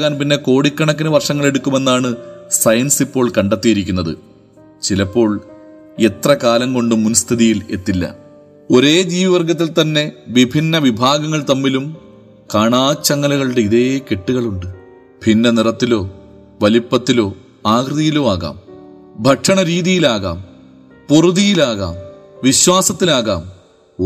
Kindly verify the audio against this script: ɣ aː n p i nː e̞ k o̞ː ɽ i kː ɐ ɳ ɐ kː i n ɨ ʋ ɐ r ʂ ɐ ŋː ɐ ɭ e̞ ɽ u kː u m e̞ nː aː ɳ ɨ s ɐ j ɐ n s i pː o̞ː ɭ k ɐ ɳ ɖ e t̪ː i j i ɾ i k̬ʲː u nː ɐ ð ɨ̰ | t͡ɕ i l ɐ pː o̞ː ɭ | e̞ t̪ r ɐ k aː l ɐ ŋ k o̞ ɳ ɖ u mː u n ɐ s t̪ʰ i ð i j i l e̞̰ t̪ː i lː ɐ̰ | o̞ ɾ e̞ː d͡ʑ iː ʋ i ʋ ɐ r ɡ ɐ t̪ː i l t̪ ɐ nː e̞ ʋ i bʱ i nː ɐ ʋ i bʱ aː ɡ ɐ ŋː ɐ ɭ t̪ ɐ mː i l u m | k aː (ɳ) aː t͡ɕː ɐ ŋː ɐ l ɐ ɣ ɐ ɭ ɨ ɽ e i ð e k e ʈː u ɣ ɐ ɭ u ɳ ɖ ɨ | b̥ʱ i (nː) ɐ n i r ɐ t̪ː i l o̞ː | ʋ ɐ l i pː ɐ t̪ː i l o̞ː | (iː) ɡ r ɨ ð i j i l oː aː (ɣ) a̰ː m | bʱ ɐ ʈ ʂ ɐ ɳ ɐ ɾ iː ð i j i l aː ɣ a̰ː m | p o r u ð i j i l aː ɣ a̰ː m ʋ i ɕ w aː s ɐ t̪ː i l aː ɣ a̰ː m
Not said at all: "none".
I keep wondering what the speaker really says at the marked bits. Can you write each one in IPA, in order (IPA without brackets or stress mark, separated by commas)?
ɳ, nː, aː, ɣ